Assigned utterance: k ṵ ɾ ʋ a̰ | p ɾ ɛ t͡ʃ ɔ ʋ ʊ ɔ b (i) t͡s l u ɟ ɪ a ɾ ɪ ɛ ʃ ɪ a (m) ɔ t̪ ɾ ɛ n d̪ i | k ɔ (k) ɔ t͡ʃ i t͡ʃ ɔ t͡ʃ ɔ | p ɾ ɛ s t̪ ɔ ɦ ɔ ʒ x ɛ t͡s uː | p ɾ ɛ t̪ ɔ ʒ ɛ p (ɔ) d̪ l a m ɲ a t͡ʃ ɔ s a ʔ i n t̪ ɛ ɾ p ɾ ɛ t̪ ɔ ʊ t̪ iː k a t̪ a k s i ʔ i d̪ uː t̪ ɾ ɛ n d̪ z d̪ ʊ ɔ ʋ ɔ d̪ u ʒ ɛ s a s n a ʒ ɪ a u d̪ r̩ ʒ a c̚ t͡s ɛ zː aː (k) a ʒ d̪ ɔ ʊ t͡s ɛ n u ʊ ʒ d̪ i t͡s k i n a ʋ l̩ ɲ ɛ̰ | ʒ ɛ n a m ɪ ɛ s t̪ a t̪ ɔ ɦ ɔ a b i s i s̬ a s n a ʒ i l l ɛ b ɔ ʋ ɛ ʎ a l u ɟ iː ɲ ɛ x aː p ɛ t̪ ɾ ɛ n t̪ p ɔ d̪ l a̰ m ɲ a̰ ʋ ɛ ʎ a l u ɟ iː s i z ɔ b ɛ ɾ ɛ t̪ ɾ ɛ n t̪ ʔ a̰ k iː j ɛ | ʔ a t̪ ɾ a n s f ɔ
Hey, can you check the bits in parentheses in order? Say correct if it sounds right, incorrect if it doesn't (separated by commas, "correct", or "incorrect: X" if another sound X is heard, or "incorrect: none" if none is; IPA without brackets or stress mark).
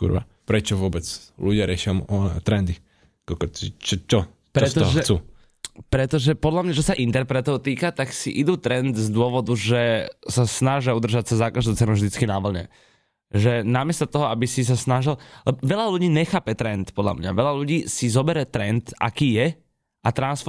incorrect: ɛ, correct, correct, correct, correct